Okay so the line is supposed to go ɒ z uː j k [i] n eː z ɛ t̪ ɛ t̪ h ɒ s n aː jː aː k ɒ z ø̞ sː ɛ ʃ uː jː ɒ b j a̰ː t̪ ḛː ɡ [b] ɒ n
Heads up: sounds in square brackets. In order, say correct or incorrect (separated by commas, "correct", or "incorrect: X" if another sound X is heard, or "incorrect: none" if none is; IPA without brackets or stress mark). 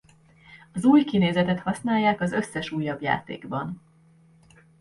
correct, correct